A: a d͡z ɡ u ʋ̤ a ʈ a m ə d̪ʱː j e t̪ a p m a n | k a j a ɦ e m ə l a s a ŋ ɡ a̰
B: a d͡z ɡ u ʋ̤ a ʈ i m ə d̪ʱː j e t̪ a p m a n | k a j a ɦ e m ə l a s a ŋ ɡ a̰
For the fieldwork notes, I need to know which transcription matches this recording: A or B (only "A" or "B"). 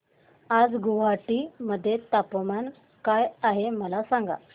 B